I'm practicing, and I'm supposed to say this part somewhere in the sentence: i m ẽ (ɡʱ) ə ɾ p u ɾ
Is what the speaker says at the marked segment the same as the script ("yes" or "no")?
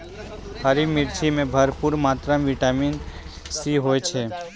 no